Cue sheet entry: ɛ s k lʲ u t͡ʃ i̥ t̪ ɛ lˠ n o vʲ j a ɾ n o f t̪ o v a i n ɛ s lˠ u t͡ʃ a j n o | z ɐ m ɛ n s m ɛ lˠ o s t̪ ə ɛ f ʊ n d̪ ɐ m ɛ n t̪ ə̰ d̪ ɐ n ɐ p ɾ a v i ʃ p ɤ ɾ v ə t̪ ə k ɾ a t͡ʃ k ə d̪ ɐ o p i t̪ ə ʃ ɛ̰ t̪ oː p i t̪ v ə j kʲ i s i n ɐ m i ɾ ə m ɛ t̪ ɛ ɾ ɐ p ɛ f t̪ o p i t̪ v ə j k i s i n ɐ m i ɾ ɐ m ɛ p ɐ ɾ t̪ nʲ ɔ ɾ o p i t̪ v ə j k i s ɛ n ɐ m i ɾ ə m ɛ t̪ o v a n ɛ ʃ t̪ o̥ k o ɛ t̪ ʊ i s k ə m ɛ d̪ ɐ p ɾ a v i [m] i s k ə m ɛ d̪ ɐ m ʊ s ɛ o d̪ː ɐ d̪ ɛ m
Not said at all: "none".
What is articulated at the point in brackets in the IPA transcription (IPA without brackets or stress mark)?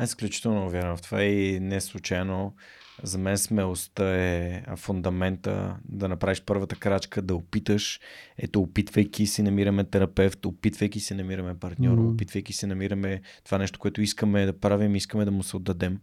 m